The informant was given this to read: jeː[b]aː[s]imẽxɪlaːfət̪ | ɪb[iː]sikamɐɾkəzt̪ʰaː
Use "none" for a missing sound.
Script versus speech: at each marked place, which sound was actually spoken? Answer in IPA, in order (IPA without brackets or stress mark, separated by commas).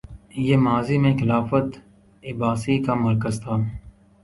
m, z, aː